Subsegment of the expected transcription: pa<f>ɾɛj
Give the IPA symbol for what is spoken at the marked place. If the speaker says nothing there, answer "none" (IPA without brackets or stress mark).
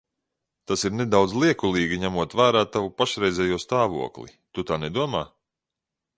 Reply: ʃ